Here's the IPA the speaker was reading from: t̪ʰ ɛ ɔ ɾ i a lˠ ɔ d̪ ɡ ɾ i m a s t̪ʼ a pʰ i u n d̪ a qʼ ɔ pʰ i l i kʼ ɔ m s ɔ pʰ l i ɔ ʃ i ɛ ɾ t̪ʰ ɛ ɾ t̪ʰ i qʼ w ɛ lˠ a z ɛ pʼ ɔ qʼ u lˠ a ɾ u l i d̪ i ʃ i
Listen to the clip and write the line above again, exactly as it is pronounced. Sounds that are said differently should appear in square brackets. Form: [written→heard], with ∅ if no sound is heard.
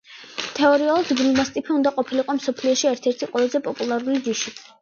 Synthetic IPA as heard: t̪ʰ ɛ ɔ ɾ i a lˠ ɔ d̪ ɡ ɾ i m a s t̪ʼ [a→i] pʰ i u n d̪ a qʼ ɔ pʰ i l i [kʼ→qʼ] ɔ m s ɔ pʰ l i ɔ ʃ i ɛ ɾ t̪ʰ ɛ ɾ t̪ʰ i qʼ w ɛ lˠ a z ɛ pʼ ɔ [qʼ→pʼ] u lˠ a ɾ u l i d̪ i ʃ i